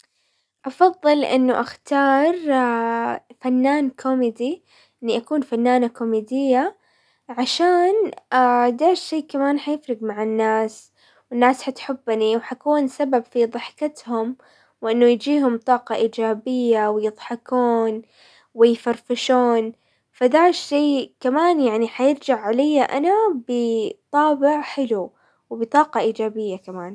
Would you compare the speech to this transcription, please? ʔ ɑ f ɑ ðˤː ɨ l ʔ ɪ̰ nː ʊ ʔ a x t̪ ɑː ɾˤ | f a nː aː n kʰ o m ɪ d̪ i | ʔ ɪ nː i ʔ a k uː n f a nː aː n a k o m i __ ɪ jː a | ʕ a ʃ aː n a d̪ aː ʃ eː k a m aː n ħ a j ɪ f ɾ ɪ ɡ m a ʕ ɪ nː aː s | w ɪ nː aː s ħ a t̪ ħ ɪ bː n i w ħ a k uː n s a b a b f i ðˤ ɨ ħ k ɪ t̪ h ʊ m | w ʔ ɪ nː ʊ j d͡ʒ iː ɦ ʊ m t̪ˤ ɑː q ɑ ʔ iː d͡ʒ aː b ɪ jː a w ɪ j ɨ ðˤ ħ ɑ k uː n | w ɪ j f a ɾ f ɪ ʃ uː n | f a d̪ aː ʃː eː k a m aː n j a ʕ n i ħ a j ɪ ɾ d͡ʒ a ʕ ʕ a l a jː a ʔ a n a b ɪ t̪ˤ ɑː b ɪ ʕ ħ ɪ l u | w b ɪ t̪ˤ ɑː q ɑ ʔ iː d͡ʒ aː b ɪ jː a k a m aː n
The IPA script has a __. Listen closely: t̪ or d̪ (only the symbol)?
d̪